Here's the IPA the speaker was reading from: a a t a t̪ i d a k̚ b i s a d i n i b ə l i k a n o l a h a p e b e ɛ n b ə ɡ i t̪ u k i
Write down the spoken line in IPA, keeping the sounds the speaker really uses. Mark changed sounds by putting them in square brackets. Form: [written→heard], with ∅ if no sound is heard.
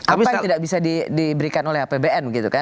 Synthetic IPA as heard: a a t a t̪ i d a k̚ b i s a d i [n→d] i b ə [l→ɾ] i k a n o l [a→ɛ] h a p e b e ɛ n b ə ɡ i t̪ u k [i→a]